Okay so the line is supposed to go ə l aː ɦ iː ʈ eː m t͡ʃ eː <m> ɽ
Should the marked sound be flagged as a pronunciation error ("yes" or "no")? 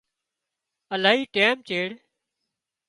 yes